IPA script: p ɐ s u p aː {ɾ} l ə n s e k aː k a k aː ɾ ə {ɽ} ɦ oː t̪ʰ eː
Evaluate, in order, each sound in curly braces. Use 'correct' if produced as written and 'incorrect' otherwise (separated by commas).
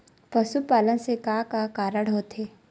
incorrect, correct